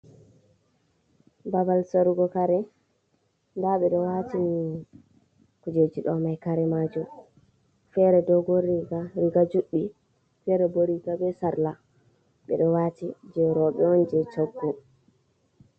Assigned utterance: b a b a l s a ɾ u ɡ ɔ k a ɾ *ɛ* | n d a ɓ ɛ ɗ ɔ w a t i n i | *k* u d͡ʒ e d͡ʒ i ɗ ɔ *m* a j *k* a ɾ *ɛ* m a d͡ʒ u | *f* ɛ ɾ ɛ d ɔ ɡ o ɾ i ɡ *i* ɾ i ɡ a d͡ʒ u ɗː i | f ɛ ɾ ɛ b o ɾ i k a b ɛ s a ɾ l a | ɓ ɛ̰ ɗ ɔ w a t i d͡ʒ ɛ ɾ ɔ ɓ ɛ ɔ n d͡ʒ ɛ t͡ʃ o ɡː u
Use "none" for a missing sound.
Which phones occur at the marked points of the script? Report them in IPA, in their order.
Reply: ɛ, k, m, k, ɛ, f, a

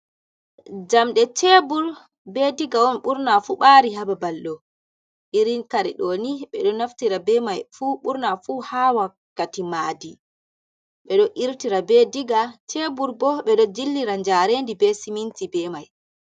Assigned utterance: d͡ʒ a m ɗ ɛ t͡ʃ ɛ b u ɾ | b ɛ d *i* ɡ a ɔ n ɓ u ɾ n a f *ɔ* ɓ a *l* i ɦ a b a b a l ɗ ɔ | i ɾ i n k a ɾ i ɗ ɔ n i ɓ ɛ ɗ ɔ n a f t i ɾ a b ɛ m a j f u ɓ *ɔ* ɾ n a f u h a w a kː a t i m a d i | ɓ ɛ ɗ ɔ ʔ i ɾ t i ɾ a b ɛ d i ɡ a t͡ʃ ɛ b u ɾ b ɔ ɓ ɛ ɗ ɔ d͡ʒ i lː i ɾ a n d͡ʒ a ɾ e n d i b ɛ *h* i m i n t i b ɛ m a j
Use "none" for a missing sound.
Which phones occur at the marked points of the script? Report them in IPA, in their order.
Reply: i, u, ɾ, u, s

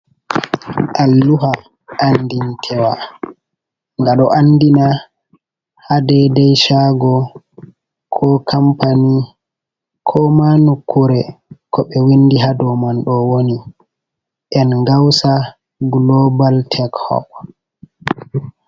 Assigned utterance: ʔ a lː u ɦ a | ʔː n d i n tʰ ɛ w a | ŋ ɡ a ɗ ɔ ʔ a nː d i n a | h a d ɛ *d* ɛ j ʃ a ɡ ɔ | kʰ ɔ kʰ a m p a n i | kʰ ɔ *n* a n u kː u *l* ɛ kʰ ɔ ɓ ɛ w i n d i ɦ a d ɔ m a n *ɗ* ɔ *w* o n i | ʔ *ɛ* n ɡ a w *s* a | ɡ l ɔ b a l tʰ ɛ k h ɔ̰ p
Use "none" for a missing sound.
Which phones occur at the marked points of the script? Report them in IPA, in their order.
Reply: d, m, ɾ, ɗ, w, ɛ, s

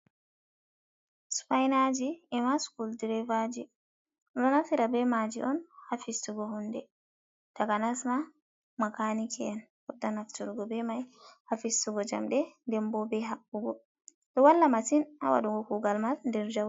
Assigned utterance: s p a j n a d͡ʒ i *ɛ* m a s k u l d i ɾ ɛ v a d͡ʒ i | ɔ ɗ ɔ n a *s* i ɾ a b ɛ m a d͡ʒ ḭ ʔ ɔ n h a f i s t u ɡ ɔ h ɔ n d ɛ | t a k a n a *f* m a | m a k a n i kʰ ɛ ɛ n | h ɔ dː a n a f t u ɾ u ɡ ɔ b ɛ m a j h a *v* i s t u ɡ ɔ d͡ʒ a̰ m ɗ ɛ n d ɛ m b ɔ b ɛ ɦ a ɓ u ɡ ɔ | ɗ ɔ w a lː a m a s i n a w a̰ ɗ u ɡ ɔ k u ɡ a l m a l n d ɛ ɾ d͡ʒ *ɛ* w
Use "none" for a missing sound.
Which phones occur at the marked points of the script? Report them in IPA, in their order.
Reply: ɛ, f, s, f, a

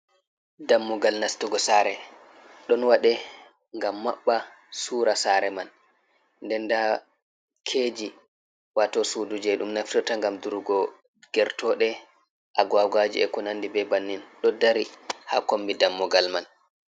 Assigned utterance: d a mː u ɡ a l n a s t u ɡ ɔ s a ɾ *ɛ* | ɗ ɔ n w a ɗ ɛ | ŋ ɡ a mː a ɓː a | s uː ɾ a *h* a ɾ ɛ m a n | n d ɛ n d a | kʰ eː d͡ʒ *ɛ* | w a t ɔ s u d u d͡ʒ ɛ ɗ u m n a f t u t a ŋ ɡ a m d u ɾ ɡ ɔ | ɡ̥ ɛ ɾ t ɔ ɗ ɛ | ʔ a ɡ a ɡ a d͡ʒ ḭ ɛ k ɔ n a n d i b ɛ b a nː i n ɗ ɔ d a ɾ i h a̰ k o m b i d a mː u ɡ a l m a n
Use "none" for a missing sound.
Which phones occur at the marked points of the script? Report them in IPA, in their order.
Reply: ɛ, s, i

